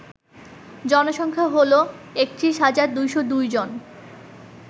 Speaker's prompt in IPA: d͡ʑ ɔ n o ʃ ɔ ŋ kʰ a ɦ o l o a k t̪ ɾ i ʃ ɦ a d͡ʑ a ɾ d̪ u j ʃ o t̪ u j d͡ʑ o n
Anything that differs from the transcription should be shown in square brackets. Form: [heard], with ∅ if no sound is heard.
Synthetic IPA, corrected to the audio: d͡ʑ ɔ n o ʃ ɔ ŋ kʰ a ɦ o l o [e] k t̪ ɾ i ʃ ɦ a d͡ʑ a ɾ d̪ u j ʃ o [d̪] u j d͡ʑ o n